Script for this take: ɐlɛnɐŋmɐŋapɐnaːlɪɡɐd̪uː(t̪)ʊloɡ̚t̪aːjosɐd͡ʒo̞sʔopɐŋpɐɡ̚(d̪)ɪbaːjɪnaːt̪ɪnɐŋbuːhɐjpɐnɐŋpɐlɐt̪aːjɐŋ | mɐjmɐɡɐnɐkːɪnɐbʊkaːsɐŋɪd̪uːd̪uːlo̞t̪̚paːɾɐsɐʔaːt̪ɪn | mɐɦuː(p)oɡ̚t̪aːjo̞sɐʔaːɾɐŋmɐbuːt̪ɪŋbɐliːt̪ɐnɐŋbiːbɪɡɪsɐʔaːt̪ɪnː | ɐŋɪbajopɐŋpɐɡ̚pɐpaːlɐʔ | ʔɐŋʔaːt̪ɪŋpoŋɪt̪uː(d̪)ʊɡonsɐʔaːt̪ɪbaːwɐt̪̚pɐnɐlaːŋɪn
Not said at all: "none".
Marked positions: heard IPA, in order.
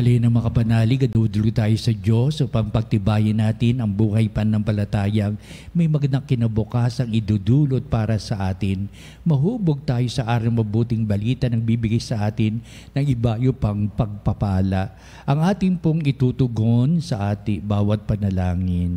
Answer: d̪, t̪, b, t̪

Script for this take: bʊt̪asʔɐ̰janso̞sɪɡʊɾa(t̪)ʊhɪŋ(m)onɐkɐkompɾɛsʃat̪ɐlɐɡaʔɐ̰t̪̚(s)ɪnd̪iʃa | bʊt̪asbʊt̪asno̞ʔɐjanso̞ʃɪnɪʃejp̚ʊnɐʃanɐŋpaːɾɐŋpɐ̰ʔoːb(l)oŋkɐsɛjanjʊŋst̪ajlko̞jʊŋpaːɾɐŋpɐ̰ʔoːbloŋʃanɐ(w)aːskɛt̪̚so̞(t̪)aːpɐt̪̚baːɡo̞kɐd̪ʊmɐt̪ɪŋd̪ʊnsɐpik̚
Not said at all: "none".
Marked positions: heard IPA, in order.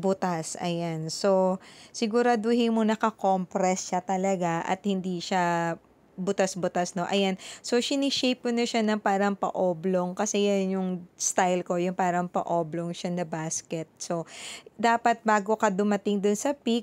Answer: d̪, m, h, l, b, d̪

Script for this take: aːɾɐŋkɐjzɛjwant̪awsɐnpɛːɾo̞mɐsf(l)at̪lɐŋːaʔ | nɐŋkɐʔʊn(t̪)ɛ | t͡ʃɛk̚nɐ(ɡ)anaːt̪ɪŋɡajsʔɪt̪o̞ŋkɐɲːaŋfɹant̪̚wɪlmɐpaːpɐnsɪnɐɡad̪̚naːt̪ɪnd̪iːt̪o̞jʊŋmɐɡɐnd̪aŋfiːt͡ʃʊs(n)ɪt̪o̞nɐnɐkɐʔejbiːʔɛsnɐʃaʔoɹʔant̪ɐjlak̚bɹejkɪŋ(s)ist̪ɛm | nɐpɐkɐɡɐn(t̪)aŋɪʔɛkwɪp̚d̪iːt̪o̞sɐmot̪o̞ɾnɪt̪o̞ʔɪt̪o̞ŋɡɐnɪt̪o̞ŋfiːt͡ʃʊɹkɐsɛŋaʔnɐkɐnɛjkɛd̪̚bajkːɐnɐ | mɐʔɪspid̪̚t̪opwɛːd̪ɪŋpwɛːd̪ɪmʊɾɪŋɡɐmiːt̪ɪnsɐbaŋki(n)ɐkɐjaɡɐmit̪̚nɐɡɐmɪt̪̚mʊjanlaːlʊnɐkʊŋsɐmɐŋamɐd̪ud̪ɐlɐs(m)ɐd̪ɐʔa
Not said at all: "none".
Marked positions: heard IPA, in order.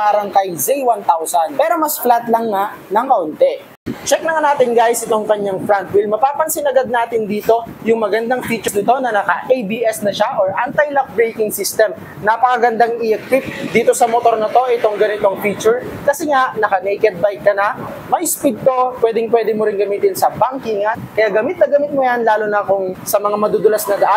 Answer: l, t̪, ŋ, n, s, d̪, ŋ, n

